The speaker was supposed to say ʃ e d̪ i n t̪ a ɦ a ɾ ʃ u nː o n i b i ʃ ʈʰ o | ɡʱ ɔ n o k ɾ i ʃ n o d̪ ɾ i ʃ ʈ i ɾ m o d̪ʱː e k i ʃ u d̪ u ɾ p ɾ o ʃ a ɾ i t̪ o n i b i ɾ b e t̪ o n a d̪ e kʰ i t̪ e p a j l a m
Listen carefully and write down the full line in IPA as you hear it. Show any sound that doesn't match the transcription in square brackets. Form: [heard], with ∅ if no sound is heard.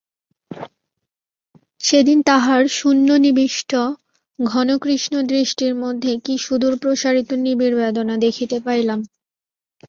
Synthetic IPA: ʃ e d̪ i n t̪ a ɦ a ɾ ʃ u nː o n i b i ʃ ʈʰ o | ɡʱ ɔ n o k ɾ i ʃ n o d̪ ɾ i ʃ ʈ i ɾ m o d̪ʱː e k i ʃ u d̪ u ɾ p ɾ o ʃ a ɾ i t̪ o n i b i ɾ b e [d̪] o n a d̪ e kʰ i t̪ e p a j l a m